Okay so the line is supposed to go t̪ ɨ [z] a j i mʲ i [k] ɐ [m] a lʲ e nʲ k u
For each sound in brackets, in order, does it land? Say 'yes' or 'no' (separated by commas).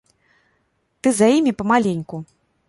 yes, no, yes